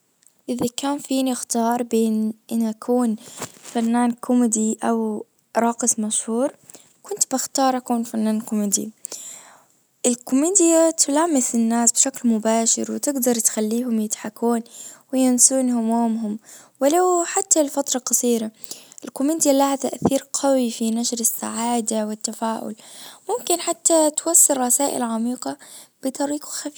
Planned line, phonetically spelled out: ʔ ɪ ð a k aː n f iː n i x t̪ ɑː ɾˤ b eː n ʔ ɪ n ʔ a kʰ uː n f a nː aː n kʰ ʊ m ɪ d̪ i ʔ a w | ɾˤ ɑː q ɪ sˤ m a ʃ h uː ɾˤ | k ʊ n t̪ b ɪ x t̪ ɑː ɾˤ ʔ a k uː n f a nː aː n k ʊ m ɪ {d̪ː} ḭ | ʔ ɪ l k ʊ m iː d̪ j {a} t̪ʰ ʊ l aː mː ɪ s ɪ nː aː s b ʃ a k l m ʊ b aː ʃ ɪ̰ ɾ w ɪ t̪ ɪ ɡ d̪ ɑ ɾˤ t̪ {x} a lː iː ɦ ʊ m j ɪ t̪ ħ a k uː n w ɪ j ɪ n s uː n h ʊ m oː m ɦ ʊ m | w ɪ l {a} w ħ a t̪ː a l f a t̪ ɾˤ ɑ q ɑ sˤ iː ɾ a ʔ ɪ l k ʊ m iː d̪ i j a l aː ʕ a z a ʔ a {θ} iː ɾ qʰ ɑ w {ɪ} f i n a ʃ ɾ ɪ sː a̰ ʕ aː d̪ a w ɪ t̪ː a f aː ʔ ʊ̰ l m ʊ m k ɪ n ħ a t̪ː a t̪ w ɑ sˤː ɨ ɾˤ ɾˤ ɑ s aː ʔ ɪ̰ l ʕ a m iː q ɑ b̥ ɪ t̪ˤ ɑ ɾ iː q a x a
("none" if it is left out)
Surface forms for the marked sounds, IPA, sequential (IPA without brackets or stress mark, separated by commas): d̪, a, x, a, θ, i